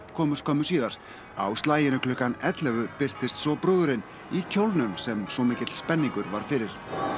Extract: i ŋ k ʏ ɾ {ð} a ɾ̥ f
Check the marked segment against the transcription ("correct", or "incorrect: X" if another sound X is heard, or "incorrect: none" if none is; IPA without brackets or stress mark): incorrect: v